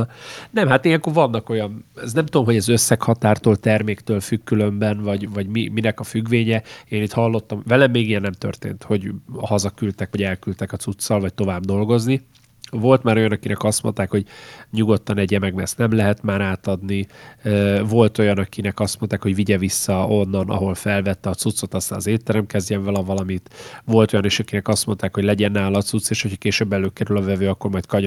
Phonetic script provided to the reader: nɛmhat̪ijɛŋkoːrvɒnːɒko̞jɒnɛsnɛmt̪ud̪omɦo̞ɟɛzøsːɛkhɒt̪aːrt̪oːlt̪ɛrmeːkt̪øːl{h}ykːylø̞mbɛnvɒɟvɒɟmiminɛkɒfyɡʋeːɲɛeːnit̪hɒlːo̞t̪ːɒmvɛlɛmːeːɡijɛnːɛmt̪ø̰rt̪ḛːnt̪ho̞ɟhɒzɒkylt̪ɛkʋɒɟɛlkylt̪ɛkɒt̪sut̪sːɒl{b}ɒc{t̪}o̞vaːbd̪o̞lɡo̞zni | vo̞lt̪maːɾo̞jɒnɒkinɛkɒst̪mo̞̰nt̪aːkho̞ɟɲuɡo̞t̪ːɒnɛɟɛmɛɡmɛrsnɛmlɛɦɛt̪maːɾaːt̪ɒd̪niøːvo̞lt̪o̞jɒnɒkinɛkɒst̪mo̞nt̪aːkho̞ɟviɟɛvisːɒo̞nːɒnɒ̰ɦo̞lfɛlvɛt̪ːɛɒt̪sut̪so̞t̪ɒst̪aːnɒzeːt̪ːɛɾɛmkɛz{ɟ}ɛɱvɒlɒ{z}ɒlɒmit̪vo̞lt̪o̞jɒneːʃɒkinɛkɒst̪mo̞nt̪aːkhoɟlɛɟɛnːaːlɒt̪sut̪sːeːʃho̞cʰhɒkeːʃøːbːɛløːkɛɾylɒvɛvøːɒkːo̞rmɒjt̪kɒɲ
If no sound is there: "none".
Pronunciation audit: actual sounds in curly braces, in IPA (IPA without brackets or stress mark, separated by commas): f, v, t̪, ɟ, v